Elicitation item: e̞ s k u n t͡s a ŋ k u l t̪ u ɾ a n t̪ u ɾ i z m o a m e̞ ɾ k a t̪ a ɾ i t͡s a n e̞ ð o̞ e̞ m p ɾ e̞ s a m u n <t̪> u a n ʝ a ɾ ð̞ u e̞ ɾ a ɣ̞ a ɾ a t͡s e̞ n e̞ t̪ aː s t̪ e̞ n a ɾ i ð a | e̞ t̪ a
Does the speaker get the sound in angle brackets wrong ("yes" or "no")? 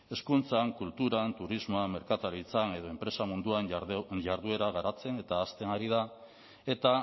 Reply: yes